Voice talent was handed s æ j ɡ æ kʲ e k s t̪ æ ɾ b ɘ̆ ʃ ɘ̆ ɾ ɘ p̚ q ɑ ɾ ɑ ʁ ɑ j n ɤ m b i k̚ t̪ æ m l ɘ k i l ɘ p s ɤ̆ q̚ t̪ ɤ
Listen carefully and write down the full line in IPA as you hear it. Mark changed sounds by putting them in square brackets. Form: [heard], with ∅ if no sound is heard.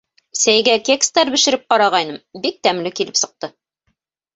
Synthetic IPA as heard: s æ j ɡ æ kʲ e k s t̪ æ ɾ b ɘ̆ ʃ ɘ̆ ɾ ɘ p̚ q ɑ ɾ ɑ ʁ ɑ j n ɤ m b i k̚ t̪ æ m l ɘ k i l ɘ p s ɤ̆ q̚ t̪ ɤ

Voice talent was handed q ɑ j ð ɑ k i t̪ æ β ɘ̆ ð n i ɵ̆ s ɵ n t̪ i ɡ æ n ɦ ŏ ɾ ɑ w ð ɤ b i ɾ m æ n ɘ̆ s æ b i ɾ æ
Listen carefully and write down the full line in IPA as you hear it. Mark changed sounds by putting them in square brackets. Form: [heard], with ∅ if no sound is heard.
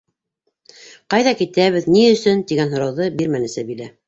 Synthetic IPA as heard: q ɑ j ð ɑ k i t̪ æ β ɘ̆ ð n i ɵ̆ s ɵ n t̪ i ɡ æ n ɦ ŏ ɾ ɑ w ð ɤ b i ɾ m æ n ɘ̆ s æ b i [l] æ

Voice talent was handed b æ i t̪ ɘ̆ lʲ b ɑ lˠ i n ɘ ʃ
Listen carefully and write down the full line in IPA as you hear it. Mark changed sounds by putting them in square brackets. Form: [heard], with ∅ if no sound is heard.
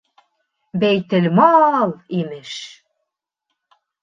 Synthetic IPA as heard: b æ [j] t̪ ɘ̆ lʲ [m] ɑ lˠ i [m] ɘ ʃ

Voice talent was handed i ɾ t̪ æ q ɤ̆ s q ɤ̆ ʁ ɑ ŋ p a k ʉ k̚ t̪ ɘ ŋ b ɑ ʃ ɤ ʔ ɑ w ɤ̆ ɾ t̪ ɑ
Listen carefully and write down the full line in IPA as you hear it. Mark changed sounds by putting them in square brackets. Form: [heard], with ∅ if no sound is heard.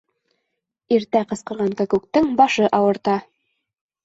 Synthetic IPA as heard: i ɾ t̪ æ q ɤ̆ s q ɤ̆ ʁ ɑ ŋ [k] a k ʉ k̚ t̪ ɘ ŋ b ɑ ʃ ɤ ʔ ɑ w ɤ̆ ɾ t̪ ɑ

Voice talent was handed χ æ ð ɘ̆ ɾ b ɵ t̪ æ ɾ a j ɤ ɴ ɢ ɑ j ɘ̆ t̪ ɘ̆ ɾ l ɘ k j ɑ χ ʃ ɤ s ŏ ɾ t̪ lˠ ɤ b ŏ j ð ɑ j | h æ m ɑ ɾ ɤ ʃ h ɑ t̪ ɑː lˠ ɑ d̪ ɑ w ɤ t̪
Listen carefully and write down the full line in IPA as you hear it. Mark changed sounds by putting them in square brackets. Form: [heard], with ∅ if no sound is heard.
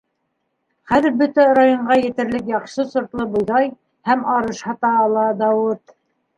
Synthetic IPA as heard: χ æ ð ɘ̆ ɾ b ɵ t̪ æ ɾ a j [o] ɴ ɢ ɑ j ɘ̆ t̪ ɘ̆ ɾ l ɘ k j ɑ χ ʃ ɤ s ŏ ɾ t̪ lˠ ɤ b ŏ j ð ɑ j | h æ m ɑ ɾ ɤ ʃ h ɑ t̪ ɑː lˠ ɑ d̪ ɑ w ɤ t̪

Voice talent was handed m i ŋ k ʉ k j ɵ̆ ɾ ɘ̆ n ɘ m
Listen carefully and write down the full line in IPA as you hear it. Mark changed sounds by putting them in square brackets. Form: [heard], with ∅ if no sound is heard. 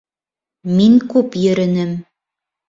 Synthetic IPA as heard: m i ŋ k ʉ [p] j ɵ̆ ɾ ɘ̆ n ɘ m

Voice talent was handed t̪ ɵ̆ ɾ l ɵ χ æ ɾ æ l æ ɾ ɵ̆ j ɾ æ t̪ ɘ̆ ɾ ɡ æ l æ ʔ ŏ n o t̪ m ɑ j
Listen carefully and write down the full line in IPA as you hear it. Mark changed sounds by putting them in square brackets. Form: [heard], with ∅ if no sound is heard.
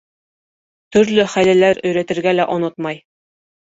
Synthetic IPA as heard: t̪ ɵ̆ ɾ l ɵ χ æ [l] æ l æ ɾ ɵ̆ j ɾ æ t̪ ɘ̆ ɾ ɡ æ l æ ʔ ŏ n o t̪ m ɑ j

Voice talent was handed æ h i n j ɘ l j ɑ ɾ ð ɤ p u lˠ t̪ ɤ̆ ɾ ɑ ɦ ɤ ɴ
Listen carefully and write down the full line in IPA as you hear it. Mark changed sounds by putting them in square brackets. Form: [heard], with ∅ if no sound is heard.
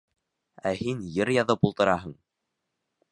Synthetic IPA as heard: æ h i n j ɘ [ɾ] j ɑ [∅] ð ɤ p u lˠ t̪ ɤ̆ ɾ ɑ ɦ ɤ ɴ

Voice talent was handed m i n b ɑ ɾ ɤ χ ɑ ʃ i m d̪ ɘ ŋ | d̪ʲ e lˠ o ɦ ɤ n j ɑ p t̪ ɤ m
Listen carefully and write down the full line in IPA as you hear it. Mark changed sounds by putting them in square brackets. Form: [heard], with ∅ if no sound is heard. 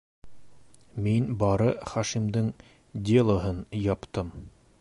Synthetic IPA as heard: m i n b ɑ ɾ ɤ χ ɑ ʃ i m d̪ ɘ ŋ | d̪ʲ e lˠ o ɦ ɤ n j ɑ p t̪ ɤ m

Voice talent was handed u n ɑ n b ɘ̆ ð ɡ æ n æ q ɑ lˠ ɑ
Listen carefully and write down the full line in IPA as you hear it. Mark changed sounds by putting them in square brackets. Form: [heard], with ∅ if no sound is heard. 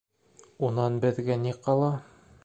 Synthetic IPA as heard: u n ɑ n b ɘ̆ ð ɡ æ n [i] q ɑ lˠ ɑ

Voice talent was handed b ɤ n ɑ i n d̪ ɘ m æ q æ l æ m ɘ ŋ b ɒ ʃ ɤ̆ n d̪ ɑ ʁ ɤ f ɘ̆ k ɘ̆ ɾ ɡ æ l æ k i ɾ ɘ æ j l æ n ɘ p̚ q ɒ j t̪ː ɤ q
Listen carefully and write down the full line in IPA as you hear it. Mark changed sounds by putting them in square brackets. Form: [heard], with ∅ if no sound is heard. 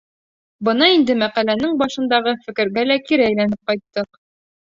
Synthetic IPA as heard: b ɤ n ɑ i n d̪ ɘ m æ q æ l æ [n] ɘ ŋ b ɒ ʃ ɤ̆ n d̪ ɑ ʁ ɤ f ɘ̆ k ɘ̆ ɾ ɡ æ l æ k i ɾ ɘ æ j l æ n ɘ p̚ q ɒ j t̪ː ɤ q

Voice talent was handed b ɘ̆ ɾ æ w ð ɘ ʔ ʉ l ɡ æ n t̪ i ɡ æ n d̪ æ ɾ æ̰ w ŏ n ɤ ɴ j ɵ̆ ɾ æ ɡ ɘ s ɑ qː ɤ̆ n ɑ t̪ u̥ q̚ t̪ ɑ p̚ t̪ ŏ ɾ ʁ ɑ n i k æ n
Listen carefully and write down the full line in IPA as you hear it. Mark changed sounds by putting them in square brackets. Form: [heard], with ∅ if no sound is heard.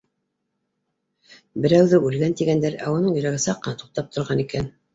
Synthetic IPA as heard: b ɘ̆ ɾ æ w ð ɘ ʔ ʉ l ɡ æ n t̪ i ɡ æ n d̪ æ ɾ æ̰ w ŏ n ɤ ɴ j ɵ̆ ɾ æ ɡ ɘ s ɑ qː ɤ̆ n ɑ t̪ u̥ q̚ t̪ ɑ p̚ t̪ ŏ ɾ ʁ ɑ n i k æ n

